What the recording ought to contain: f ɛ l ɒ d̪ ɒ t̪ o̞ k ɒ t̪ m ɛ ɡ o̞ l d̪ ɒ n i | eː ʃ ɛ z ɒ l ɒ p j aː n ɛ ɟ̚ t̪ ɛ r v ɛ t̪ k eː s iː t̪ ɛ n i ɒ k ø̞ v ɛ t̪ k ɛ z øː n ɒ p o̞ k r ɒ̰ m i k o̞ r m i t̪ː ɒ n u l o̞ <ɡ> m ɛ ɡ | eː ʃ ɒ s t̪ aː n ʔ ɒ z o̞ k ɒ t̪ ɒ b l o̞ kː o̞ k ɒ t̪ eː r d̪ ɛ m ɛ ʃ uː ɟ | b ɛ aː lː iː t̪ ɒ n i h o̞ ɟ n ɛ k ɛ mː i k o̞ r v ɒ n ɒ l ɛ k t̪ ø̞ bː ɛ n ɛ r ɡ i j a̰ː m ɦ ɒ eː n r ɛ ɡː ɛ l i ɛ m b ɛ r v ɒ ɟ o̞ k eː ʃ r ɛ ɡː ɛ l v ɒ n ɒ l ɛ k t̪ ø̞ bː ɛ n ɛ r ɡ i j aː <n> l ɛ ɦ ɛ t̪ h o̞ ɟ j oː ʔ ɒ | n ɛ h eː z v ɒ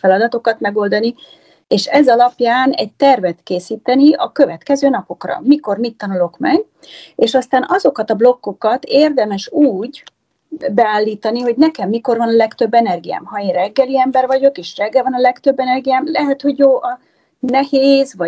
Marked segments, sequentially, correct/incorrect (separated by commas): incorrect, incorrect